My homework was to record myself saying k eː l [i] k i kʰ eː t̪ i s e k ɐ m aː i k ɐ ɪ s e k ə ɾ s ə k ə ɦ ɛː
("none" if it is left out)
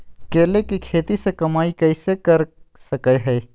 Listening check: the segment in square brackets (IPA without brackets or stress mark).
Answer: e